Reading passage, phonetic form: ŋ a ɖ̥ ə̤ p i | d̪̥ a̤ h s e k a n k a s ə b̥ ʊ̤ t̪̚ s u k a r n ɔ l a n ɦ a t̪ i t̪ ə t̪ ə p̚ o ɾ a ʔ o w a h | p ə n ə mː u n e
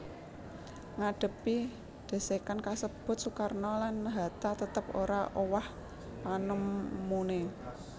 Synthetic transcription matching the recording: ŋ a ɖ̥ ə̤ p i | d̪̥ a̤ s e k a n k a s ə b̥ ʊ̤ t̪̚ s u k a r n ɔ l a n ɦ a t̪ a t̪ ə t̪ ə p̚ o ɾ a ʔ o w a h | p a n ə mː u n e

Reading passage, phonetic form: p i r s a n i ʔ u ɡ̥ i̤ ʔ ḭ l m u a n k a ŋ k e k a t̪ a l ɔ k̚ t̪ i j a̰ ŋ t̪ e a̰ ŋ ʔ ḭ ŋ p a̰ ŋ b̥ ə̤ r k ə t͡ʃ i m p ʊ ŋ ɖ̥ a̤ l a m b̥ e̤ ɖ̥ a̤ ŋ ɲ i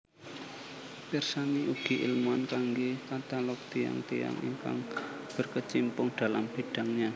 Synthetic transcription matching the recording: p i r s a n i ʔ u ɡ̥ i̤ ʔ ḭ l m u a n k a ŋ ɡ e k a t̪ a l ɔ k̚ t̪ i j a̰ ŋ t̪ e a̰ ŋ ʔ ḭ ŋ k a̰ ŋ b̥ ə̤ r k ə t͡ʃ i m p ʊ ŋ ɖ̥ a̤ l a m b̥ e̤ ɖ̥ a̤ ŋ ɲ a

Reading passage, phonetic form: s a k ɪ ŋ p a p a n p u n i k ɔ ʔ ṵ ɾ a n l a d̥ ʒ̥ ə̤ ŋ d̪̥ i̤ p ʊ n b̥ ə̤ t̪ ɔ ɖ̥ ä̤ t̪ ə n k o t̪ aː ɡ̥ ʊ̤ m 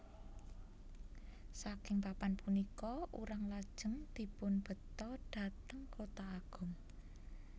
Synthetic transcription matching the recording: s a k ɪ ŋ p a p a n p u n i k ɔ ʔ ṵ ɾ a ŋ l a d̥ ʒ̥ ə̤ ŋ d̪̥ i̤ p ʊ n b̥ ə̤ t̪ ɔ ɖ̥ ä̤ t̪ ə ŋ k o t̪ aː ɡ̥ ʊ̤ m

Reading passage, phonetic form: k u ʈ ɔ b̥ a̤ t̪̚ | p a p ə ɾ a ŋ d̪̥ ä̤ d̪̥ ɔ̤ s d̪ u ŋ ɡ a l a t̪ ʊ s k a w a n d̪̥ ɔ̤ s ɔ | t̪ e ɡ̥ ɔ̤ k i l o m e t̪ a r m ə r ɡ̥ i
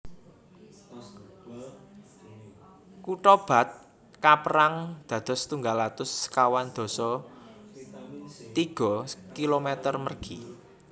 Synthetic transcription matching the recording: k u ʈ ɔ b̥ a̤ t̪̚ | k a p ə ɾ a ŋ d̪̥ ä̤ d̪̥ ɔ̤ s t̪ u ŋ ɡ a l a t̪ ʊ s k a w a n d̪̥ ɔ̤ s ɔ | t̪ i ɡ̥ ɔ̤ k i l o m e t̪ ə r m ə r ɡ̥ i

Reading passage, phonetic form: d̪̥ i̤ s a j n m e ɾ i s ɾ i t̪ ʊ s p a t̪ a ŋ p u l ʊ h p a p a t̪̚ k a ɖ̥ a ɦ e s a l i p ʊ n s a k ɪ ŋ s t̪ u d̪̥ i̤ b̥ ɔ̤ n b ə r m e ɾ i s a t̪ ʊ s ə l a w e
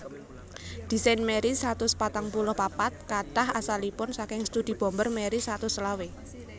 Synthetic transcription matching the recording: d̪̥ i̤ s a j n m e ɾ i s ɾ a t̪ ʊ s p a t̪ a ŋ p u l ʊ h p a p a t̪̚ k a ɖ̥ a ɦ a s a l i p ʊ n s a k ɪ ŋ s t̪ u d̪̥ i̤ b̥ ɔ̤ m b ə r m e ɾ i s a t̪ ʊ s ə l a w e

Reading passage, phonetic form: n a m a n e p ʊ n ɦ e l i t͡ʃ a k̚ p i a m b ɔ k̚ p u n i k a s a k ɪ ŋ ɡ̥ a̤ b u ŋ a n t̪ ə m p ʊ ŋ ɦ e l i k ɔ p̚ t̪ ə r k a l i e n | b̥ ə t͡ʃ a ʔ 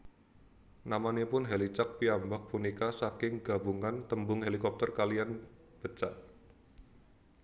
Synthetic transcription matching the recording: n a m a n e p ʊ n ɦ e l i t͡ʃ a k̚ p i a m b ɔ k̚ p u n i k a s a k ɪ ŋ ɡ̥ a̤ b u ŋ a n t̪ ə m b ʊ ŋ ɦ e l i k ɔ p̚ t̪ ə r k a l i a n | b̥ ə t͡ʃ a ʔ

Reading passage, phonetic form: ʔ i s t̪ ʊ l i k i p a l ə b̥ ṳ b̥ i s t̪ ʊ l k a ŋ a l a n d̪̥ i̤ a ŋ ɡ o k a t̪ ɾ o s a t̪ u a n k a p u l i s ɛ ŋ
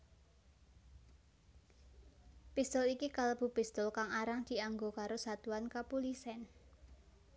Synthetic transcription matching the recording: p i s t̪ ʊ l i k i k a l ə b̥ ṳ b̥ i s t̪ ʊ l k a ŋ a ɾ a ŋ d̪̥ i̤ a ŋ ɡ o k a ɾ o s a t̪ u a n k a p u l i s ɛ n

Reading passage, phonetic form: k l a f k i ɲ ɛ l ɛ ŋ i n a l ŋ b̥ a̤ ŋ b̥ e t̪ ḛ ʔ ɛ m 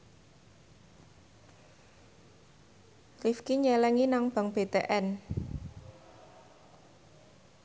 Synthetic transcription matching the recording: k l i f k i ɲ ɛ l ɛ ŋ i n a ŋ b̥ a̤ ŋ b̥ e t̪ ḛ ʔ ɛ n

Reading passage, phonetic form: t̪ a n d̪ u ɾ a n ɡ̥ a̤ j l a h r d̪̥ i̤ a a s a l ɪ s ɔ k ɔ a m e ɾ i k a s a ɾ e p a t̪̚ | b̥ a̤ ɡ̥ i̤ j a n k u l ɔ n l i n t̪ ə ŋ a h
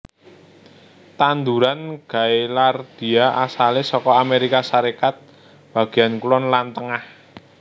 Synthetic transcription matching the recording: t̪ a n d̪ u ɾ a n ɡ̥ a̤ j l a r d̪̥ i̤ a a s a l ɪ s ɔ k ɔ a m e ɾ i k a s a ɾ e k a t̪̚ | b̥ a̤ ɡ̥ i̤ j a n k u l ɔ n l a n t̪ ə ŋ a h

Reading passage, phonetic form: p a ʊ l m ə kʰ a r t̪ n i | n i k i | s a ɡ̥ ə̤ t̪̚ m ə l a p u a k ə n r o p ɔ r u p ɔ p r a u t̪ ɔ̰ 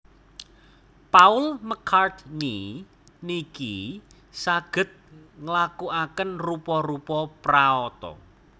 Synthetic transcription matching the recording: p a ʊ l m ə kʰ a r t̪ n i | n i k i | s a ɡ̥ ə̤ t̪̚ ŋ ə l a k u a k ə n r u p ɔ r u p ɔ p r a ɔ t̪ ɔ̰

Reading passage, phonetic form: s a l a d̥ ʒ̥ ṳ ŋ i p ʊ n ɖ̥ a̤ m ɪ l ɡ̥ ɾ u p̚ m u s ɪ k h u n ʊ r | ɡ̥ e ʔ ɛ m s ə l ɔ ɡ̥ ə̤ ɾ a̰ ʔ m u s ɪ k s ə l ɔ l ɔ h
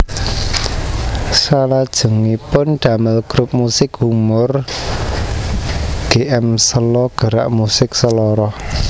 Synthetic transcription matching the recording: s a l a d̥ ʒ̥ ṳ ŋ i p ʊ n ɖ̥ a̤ m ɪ l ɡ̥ ɾ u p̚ m u s ɪ k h u m ʊ r | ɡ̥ e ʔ ɛ m s ə l ɔ ɡ̥ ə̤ ɾ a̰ ʔ m u s ɪ k s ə l ɔ ɾ ɔ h

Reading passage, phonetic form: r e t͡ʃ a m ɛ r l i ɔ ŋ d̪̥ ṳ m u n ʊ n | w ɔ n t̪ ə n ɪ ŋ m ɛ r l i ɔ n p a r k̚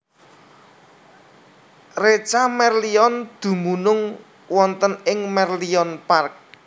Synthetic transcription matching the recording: r e t͡ʃ a m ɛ r l i ɔ n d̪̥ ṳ m u n ʊ ŋ | w ɔ n t̪ ə n ɪ ŋ m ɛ r l i ɔ n p a r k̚

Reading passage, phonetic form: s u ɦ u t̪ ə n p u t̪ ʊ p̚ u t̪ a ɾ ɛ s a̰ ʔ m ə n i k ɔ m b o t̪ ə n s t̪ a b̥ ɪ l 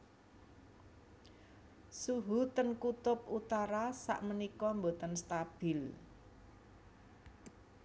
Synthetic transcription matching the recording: s u ɦ u t̪ ə n k u t̪ ʊ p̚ u t̪ a ɾ a s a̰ ʔ m ə n i k ɔ m b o t̪ ə n s t̪ a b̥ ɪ l

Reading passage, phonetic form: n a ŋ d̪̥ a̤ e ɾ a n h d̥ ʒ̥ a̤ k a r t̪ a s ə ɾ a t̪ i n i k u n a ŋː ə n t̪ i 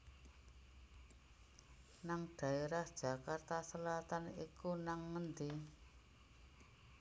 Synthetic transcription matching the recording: n a ŋ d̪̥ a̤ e ɾ a h d̥ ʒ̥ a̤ k a r t̪ a s ə l a t̪ a n i k u n a ŋː ə n d̪ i

